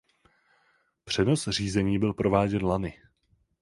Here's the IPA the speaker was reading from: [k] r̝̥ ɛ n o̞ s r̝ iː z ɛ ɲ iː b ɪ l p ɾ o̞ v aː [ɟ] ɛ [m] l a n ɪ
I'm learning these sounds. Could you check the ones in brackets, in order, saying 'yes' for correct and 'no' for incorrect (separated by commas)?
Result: no, yes, no